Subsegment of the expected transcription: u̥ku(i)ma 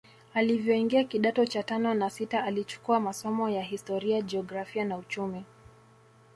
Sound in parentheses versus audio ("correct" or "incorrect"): incorrect